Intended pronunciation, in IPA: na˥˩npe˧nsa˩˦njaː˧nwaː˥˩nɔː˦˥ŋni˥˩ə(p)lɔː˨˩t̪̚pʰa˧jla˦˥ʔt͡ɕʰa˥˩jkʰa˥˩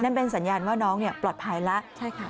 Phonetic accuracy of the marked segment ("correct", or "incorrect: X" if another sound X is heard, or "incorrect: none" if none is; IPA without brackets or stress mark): correct